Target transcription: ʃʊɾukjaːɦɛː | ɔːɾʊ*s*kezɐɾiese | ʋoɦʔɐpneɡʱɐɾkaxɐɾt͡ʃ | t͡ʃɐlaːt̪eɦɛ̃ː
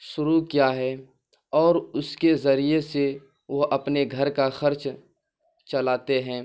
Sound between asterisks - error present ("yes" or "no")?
no